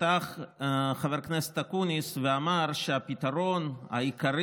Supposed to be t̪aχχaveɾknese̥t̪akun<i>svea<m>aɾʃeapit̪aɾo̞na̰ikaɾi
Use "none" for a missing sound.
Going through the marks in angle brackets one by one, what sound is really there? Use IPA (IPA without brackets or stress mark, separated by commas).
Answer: i, m